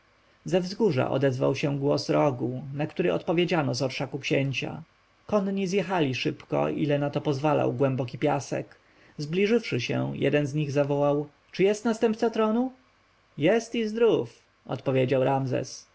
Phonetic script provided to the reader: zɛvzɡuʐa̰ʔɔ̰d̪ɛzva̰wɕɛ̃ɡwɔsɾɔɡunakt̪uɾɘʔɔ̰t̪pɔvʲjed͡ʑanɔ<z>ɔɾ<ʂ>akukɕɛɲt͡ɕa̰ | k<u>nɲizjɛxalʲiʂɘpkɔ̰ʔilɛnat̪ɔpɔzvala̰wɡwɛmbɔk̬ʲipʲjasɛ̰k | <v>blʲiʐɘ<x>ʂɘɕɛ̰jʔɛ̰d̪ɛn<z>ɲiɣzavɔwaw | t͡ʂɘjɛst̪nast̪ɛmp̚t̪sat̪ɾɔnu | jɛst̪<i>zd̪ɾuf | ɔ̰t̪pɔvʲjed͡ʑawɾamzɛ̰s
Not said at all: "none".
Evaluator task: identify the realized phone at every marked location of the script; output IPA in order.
z, ʂ, ɔ, z, f, z, i

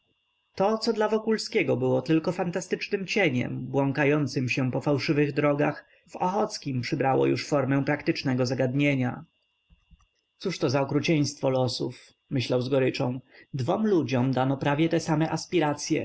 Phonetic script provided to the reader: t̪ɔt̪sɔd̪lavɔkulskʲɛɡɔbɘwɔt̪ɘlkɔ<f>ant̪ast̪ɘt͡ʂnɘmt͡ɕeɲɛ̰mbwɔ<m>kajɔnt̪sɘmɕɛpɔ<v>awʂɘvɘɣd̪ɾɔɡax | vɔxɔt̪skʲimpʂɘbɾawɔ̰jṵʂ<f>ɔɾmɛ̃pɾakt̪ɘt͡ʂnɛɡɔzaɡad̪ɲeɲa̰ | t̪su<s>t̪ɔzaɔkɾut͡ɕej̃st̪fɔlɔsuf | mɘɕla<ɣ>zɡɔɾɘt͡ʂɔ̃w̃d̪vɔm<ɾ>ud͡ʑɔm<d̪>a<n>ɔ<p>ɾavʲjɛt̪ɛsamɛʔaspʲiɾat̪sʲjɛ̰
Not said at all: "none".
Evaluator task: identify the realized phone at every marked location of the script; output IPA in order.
f, ŋ, f, f, ʂ, w, l, d̪, n, p

